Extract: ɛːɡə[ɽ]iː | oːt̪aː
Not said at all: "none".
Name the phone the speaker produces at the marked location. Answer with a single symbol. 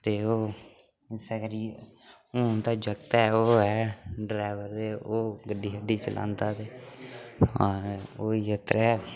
ɾ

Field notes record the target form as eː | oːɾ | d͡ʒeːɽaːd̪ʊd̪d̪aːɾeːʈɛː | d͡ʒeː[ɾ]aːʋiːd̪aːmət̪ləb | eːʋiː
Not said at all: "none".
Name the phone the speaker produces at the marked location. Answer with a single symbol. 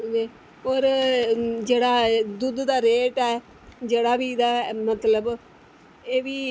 ɽ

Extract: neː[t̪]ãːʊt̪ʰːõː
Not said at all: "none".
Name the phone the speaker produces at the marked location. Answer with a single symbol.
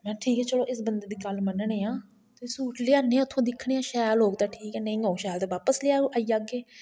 none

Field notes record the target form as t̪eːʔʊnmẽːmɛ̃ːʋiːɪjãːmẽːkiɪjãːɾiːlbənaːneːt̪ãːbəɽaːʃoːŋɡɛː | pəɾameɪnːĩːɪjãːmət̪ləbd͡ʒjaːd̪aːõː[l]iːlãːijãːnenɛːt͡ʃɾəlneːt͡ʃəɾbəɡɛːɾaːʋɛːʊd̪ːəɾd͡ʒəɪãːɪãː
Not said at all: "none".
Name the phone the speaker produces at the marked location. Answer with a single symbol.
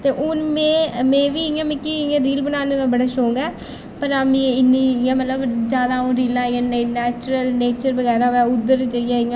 ɾ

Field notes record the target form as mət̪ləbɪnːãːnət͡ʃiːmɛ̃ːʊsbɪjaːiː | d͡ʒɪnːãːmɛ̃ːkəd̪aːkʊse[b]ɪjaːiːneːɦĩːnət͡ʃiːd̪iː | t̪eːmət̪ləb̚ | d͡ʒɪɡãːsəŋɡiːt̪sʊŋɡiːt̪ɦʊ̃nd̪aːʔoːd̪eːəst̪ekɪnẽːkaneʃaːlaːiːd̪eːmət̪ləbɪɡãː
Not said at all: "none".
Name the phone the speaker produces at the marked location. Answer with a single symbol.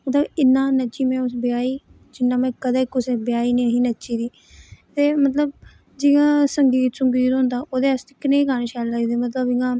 b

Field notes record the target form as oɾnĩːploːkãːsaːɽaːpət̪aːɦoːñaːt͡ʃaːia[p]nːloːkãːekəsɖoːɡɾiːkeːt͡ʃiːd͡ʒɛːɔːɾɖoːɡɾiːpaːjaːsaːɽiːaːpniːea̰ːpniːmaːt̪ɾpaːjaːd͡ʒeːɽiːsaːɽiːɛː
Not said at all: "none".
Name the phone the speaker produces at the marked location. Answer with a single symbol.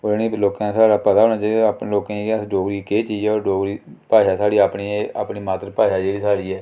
p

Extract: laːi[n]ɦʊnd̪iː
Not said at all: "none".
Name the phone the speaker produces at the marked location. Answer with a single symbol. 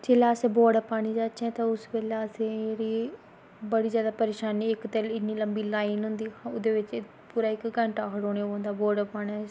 n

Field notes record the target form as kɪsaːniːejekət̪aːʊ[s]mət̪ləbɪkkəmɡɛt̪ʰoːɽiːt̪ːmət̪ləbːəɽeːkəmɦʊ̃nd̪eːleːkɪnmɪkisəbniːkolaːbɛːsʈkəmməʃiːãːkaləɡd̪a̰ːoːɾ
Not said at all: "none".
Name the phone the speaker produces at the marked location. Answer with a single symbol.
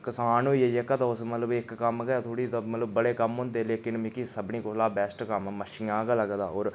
s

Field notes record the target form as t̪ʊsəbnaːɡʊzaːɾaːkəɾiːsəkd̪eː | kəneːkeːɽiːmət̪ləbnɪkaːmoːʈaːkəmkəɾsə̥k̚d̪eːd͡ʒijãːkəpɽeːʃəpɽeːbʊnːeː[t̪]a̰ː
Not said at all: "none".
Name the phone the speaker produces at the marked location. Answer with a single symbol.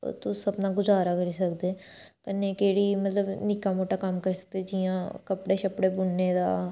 d̪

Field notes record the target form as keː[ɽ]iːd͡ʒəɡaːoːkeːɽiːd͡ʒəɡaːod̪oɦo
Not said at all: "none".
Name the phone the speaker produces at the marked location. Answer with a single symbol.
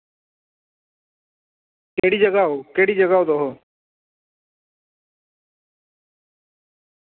ɽ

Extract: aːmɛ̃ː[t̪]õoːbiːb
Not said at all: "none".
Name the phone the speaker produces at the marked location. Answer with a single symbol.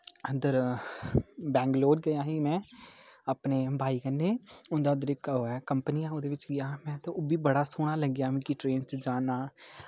t̪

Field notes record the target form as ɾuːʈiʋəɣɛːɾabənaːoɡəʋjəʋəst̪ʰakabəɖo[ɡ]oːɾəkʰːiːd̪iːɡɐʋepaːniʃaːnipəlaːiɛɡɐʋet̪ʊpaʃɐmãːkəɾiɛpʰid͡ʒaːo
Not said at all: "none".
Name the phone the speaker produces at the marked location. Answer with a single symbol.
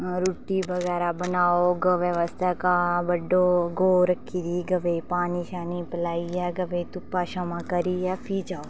ɡ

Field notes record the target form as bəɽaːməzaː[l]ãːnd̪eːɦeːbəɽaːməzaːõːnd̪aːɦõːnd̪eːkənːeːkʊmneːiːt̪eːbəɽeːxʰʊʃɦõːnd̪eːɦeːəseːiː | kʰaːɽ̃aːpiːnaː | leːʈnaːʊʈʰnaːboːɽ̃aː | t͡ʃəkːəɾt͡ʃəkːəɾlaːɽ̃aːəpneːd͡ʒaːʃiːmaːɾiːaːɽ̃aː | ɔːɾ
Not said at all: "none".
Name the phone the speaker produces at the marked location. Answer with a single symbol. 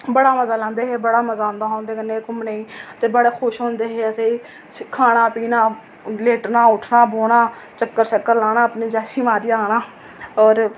l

